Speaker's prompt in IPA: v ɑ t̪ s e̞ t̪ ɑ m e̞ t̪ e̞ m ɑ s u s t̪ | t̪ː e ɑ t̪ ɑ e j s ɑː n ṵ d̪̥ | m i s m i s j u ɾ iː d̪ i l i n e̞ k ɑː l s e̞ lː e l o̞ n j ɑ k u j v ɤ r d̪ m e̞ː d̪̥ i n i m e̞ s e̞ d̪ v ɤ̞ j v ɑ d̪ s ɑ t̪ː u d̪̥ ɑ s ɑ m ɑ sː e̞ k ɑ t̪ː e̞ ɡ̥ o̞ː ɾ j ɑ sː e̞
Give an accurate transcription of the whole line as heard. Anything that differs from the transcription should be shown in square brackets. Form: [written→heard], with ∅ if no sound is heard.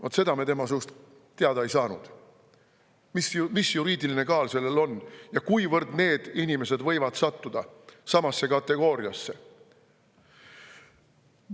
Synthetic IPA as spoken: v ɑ t̪ s e̞ [t̪→d̪] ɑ m e̞ t̪ e̞ m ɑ s u s t̪ | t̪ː e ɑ [t̪→d̪] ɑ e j s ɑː n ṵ d̪̥ | m i s m i s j u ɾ iː d̪ i l i n e̞ k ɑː l s e̞ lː e l o̞ n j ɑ k u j v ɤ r d̪ [m→n] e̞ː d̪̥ i n i m e̞ s e̞ d̪ v ɤ̞ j v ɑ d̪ s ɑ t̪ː u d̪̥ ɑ s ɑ m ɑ sː e̞ k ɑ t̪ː e̞ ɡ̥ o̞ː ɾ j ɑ sː e̞

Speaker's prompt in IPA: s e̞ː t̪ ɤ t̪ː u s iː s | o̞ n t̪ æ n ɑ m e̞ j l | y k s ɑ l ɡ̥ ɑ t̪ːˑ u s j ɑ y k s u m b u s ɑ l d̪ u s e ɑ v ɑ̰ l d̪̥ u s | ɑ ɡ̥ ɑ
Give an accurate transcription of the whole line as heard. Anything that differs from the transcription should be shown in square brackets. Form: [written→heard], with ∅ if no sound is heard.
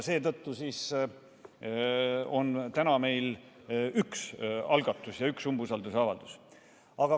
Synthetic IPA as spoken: s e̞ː t̪ ɤ t̪ː u s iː s | o̞ n t̪ æ n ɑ m e̞ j l | y k s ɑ l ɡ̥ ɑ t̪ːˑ u s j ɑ y k s u m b u s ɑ l d̪ u s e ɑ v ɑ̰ l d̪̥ u s | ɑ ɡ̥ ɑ

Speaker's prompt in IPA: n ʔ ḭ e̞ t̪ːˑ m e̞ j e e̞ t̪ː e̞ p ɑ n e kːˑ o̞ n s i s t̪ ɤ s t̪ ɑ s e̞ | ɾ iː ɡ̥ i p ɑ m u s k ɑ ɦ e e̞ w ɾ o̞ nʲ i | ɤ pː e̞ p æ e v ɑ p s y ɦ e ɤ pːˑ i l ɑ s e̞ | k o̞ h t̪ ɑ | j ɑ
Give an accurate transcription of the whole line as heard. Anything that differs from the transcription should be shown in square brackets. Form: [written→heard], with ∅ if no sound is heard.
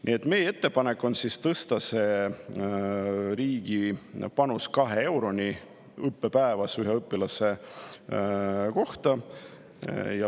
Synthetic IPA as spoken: n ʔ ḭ e̞ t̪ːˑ m e̞ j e e̞ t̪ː e̞ p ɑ n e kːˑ o̞ n s i s t̪ ɤ s t̪ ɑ s e̞ | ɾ iː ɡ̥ i p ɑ [m→n] u s k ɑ ɦ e e̞ w ɾ o̞ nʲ i | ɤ pː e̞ p æ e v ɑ [p→∅] s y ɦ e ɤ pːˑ i l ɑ s e̞ | k o̞ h t̪ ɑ | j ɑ

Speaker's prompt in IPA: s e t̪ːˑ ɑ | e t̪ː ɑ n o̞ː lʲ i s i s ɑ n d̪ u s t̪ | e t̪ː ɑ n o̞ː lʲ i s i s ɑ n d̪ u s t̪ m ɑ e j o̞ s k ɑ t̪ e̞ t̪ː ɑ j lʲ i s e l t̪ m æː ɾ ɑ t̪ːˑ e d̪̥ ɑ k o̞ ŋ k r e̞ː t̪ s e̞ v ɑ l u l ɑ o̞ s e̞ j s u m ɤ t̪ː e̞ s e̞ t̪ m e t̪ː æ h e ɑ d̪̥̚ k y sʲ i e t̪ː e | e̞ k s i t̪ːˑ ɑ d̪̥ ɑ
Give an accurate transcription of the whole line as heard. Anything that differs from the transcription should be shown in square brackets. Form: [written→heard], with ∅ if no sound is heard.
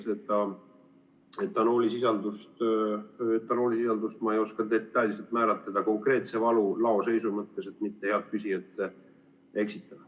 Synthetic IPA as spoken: s e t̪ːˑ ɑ | e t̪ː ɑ n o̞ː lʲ i s i s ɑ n d̪ u s t̪ | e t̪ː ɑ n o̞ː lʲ i s i s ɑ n d̪ u s t̪ m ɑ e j o̞ s k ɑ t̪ e̞ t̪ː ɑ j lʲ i s e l t̪ m æː ɾ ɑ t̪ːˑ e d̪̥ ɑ k o̞ ŋ k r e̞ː t̪ s e̞ v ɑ l u l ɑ o̞ s e̞ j s u m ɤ t̪ː e̞ s e̞ t̪ m [e→i] t̪ː [æ→e] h e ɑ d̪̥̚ k y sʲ i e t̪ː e | e̞ k s i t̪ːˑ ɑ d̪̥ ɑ

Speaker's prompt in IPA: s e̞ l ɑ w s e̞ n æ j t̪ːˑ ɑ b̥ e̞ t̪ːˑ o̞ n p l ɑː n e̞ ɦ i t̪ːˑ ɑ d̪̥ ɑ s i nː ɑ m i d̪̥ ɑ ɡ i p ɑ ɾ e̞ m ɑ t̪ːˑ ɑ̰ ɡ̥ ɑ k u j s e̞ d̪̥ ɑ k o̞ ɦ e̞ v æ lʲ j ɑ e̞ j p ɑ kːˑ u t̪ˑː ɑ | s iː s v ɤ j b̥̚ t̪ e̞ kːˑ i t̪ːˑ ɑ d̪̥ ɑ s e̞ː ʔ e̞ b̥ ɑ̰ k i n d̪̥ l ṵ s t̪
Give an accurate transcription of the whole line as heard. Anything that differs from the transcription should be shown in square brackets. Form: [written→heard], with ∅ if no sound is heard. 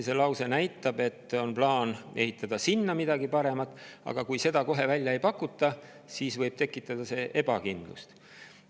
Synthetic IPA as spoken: s e̞ l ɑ w s e̞ n æ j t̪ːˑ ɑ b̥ e̞ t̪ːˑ o̞ n p l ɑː n e̞ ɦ i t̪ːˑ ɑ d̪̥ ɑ s i nː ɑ m i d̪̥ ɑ ɡ i p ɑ ɾ e̞ m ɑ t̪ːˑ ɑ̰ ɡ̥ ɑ k u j s e̞ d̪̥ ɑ k o̞ ɦ e̞ v æ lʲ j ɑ e̞ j p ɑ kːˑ u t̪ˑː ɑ | s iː s v ɤ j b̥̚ t̪ e̞ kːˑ i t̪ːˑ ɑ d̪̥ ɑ s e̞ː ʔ e̞ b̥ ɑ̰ k i n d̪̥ l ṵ s t̪

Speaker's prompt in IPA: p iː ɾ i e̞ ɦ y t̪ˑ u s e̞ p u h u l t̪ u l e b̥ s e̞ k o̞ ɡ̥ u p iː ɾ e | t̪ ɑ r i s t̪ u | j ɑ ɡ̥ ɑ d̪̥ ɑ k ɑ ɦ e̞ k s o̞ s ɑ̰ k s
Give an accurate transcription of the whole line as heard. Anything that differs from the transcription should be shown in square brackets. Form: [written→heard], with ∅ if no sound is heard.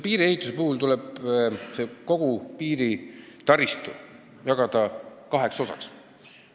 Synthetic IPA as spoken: p iː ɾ i e̞ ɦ [y→i] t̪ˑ u s e̞ p u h u l t̪ u l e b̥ s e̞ k o̞ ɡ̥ u p iː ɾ [e→i] | t̪ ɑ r i s t̪ u | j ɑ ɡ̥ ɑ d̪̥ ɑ k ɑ ɦ e̞ k s o̞ s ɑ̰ k s

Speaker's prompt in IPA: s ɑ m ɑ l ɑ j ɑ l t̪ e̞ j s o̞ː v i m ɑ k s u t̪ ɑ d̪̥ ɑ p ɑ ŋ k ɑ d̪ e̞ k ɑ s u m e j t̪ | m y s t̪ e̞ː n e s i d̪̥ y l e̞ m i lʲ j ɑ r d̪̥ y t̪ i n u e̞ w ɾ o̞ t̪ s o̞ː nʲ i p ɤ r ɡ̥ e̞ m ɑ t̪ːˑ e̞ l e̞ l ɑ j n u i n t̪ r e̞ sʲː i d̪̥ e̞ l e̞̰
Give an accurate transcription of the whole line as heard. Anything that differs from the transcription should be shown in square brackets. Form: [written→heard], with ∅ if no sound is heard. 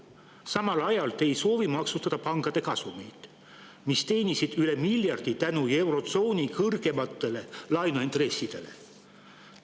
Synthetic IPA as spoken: s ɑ m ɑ l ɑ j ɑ l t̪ e̞ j s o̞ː v i m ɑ k s u t̪ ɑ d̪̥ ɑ p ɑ ŋ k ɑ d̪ e̞ k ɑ s u m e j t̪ | m [y→i] s t̪ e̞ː n [e→i] s i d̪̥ y l e̞ m i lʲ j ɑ r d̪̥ [y→i] t̪ [i→æ] n u e̞ w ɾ o̞ t̪ s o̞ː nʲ i [p→k] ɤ r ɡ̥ e̞ m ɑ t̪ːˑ e̞ l e̞ l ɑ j n u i n t̪ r e̞ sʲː i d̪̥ e̞ l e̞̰

